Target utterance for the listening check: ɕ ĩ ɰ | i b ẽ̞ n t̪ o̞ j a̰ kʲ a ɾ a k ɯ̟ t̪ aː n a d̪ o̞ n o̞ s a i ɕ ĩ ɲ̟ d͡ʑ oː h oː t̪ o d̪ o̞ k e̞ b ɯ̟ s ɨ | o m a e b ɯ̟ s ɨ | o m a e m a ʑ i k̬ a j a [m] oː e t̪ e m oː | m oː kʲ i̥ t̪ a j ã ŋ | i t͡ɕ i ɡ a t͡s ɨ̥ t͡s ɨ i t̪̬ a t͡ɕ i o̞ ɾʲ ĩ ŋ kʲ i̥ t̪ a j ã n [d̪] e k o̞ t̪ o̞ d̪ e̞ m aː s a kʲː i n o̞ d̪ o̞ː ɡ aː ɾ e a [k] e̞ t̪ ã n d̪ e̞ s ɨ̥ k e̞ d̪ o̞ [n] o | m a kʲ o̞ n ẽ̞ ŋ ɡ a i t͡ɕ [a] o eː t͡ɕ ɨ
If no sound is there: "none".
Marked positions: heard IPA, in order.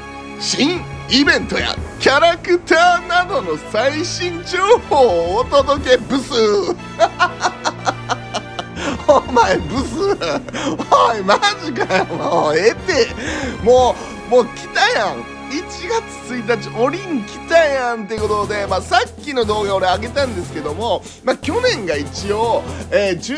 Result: m, t̪, ɡ, m, i

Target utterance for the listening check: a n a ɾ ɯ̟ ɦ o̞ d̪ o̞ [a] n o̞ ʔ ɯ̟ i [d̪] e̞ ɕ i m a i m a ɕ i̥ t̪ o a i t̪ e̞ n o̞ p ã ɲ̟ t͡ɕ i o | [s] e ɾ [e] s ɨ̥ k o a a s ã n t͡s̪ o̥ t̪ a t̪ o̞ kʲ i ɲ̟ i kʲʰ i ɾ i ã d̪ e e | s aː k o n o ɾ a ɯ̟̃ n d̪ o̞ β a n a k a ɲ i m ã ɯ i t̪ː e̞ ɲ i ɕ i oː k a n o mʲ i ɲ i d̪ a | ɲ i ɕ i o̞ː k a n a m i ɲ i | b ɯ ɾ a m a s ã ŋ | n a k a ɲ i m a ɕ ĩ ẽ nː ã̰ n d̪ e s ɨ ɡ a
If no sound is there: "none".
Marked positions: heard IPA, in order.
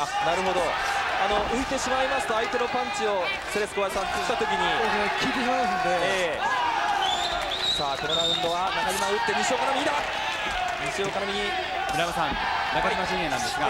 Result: a, t̪, s, e

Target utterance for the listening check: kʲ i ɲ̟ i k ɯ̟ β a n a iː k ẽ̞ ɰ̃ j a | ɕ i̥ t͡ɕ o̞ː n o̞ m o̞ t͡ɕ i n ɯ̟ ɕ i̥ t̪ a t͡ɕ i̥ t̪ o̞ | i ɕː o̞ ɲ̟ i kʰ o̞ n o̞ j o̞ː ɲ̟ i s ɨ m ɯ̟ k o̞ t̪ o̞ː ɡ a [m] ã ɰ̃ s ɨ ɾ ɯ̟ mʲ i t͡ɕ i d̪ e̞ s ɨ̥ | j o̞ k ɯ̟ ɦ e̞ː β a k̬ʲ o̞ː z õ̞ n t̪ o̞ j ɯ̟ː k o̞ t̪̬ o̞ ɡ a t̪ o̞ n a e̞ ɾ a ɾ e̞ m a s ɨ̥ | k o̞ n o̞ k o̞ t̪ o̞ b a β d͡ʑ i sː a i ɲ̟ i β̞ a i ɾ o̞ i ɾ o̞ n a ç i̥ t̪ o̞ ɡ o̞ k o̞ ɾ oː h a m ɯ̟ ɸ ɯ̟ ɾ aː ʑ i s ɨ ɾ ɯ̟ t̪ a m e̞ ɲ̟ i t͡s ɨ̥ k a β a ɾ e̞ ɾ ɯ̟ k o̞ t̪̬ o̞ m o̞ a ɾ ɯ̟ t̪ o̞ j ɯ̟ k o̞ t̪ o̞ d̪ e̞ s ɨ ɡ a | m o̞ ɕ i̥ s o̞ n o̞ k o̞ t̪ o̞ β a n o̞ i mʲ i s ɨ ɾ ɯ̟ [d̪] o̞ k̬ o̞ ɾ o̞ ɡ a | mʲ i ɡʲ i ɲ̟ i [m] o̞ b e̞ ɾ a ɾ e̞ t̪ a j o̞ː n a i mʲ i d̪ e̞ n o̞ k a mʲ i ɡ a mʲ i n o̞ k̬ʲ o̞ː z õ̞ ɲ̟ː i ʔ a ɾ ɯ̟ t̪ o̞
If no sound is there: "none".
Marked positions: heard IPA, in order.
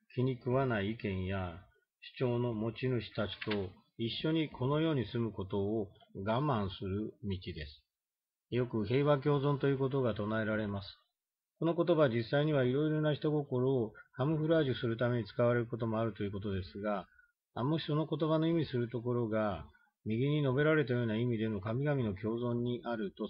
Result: m, t̪, n

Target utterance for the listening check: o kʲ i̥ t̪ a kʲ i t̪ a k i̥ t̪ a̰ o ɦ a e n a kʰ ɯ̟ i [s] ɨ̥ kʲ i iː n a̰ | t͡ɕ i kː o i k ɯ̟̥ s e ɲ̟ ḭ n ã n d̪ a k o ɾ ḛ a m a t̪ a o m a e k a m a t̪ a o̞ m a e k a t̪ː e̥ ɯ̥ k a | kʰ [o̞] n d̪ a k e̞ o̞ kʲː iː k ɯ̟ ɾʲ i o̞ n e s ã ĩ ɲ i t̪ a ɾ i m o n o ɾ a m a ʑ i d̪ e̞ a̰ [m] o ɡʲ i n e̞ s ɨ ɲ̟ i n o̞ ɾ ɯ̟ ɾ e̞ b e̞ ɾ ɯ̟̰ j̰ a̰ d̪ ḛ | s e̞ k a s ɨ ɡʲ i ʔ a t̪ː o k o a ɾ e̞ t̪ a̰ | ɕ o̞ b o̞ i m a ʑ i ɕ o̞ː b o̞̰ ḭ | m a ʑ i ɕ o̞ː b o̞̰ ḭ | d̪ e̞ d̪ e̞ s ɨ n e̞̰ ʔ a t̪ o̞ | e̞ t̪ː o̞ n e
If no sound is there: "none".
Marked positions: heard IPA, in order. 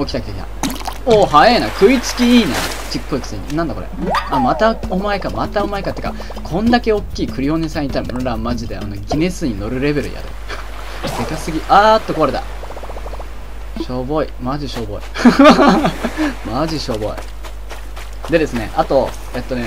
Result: t͡s, õ̞, n

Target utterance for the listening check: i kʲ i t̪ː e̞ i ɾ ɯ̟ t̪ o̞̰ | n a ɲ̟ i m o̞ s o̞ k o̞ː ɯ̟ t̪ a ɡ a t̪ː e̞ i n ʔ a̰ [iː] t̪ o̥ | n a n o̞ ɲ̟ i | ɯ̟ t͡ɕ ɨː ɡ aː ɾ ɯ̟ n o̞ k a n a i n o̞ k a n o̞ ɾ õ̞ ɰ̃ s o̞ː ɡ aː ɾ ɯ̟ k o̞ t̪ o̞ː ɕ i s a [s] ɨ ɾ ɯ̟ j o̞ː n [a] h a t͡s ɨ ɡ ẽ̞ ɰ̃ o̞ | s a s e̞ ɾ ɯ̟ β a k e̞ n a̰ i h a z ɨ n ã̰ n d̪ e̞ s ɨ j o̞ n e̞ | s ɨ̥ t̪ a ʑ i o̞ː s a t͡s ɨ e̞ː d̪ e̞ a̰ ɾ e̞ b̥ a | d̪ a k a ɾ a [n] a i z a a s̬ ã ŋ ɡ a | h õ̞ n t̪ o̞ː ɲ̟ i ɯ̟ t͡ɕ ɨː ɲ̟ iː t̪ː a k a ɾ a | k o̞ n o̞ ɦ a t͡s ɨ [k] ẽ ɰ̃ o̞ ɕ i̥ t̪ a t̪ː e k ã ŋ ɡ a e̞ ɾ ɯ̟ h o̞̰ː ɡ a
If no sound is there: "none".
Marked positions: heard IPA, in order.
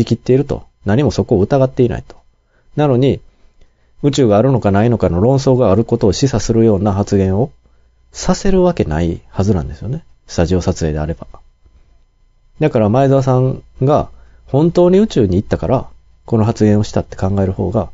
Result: i, s, a, m, ɡ

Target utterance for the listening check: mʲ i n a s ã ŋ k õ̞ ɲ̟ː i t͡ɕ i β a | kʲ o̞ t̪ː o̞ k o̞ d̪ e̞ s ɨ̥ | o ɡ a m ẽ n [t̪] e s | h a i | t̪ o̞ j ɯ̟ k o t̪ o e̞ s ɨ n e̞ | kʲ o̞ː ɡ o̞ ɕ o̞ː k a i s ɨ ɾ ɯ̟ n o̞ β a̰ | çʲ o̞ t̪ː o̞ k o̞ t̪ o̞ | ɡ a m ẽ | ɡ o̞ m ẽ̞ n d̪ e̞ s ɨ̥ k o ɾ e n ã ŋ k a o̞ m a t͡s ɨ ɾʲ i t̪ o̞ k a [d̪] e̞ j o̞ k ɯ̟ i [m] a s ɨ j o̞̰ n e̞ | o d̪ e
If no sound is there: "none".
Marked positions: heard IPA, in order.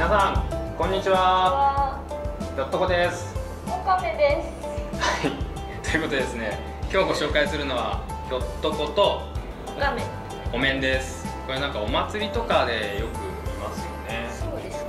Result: d̪, d̪, m

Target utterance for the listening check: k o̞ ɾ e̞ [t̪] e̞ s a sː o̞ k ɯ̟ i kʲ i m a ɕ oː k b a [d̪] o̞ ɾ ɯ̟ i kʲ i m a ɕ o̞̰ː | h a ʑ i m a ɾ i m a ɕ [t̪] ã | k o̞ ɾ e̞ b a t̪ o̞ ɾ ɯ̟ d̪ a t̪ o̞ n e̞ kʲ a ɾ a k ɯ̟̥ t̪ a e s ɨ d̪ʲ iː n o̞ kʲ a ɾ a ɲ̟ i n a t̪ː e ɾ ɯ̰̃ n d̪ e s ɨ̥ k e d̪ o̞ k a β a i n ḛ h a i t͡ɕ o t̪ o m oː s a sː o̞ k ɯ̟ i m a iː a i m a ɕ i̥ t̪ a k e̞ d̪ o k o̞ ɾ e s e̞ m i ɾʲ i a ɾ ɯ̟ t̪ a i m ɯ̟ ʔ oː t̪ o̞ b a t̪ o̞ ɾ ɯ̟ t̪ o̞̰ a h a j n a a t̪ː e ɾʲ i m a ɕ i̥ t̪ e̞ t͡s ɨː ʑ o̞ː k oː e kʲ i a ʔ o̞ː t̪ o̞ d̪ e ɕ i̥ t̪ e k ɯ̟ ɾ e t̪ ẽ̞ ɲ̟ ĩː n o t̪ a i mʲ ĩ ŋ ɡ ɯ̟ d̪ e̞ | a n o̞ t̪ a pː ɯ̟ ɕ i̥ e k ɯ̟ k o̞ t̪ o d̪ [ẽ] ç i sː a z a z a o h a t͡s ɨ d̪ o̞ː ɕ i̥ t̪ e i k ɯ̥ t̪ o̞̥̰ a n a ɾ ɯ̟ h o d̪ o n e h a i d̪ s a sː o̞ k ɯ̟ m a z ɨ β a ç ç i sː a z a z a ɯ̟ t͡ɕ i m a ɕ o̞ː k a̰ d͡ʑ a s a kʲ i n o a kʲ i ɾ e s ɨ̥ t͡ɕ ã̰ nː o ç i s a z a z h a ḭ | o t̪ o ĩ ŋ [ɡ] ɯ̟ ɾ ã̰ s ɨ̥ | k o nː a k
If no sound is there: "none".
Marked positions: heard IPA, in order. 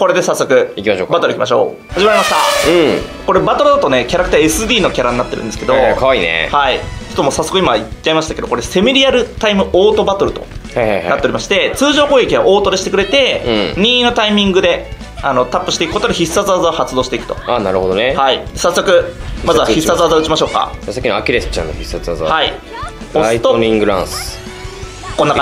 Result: d̪, t̪, t̪, e, ɡ

